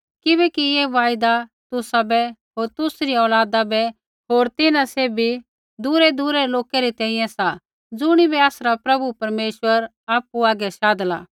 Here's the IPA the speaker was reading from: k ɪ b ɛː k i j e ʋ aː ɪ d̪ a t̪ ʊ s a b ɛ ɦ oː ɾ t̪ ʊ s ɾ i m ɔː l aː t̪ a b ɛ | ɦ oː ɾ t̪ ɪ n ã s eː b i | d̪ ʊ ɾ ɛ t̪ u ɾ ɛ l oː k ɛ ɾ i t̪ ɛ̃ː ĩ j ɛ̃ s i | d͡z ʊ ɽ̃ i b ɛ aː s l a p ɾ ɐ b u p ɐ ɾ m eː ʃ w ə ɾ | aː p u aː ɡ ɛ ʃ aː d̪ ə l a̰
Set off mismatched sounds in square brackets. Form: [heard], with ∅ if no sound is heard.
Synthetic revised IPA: k ɪ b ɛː k i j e ʋ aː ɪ d̪ a t̪ ʊ s a b ɛ ɦ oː ɾ t̪ ʊ s ɾ i [∅] ɔː l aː [d̪] a b ɛ | ɦ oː ɾ t̪ ɪ n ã s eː b i | d̪ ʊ ɾ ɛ [d̪] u ɾ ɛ l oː k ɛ ɾ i t̪ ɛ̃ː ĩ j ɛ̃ s [a] | d͡z ʊ ɽ̃ i b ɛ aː s [ɾ] a p ɾ ɐ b u p ɐ ɾ m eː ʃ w ə ɾ | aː p u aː ɡ ɛ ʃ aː d̪ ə l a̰